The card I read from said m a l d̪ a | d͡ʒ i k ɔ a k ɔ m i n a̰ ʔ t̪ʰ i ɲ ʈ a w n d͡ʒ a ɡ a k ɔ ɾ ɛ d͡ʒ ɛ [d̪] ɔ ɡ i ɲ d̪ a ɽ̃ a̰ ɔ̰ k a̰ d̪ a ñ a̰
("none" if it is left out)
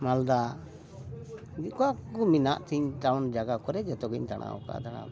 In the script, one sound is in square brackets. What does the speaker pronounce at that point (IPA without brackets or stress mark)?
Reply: t̪